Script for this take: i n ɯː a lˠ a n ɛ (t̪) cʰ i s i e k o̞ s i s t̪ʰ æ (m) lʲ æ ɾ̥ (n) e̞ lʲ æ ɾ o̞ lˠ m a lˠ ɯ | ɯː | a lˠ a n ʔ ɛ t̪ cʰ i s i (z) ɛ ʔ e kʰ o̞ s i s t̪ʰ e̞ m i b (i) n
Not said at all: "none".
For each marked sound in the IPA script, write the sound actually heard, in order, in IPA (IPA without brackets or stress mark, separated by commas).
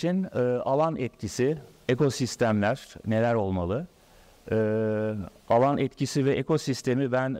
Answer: t̪, m, n, v, æ